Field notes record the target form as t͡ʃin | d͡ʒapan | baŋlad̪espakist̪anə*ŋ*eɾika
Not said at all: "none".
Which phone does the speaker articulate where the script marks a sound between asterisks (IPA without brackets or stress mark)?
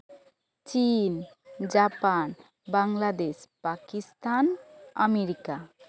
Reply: m